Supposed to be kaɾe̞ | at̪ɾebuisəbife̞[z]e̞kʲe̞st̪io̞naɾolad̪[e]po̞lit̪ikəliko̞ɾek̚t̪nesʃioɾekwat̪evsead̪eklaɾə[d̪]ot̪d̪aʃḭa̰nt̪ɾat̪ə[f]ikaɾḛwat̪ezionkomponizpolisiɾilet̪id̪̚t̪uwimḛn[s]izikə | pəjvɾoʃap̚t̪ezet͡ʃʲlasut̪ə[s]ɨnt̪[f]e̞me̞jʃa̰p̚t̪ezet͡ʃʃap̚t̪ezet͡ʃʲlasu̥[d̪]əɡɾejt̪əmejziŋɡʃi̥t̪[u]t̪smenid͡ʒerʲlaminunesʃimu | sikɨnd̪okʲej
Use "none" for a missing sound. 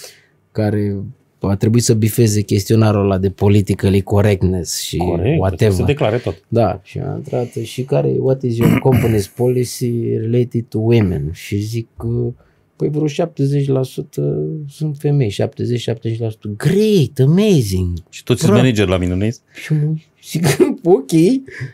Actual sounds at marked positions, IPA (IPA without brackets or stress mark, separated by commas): z, e, t̪, ʃ, ʃ, s, f, t̪, o